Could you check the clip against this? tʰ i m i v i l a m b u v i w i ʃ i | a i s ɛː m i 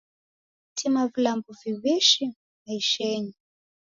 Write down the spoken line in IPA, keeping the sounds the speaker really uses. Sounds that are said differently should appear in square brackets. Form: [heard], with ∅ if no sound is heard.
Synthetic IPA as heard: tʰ i m [a] v i l a m b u v i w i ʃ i | a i [ʃ] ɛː [ɲ] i